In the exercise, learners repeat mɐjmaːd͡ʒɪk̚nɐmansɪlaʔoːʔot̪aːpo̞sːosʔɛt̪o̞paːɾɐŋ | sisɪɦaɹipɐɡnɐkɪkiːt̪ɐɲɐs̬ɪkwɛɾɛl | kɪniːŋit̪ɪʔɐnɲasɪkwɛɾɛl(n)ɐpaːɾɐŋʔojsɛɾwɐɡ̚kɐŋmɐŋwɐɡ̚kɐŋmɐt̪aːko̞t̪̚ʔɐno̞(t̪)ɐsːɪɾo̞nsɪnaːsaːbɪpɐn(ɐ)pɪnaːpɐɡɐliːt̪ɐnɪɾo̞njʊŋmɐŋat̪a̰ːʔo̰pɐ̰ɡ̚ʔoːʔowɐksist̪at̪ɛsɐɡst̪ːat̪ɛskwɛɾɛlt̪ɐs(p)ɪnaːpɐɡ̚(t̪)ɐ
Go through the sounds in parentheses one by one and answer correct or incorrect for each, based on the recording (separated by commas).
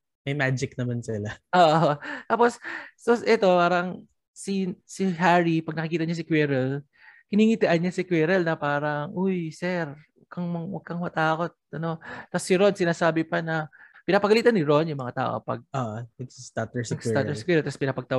correct, correct, correct, correct, correct